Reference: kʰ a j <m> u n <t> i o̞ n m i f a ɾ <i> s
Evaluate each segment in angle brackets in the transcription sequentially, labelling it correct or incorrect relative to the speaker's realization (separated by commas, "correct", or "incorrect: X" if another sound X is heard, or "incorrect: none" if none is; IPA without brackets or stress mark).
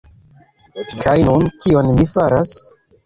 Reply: incorrect: n, incorrect: k, incorrect: a